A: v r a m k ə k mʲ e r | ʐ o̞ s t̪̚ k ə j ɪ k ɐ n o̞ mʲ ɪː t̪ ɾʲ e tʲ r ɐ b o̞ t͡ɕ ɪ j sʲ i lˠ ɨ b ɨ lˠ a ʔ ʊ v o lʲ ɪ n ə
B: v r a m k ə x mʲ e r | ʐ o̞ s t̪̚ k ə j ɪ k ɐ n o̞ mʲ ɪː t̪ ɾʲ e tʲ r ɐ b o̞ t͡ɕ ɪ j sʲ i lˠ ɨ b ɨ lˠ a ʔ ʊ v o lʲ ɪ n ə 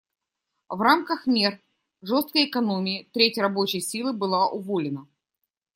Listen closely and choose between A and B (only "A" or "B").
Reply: B